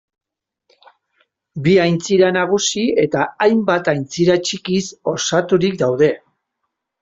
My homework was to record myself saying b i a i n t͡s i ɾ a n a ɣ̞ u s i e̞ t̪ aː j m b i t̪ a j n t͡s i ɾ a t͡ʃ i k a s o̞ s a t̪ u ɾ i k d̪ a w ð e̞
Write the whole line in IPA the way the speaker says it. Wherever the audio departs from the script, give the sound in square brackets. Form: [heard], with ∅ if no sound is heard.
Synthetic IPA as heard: b i a [j] n t͡s i ɾ a n a ɣ̞ u s i e̞ t̪ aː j m b [a] t̪ a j n t͡s i ɾ a t͡ʃ i k [i] s o̞ s a t̪ u ɾ i k d̪ a w ð e̞